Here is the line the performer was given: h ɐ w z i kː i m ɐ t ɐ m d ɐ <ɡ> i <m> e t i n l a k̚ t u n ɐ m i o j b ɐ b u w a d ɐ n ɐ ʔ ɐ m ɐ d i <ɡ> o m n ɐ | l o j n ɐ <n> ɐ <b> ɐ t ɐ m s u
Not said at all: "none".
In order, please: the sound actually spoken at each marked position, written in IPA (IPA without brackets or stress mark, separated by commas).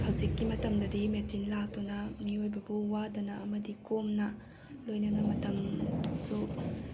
d, m, k, n, m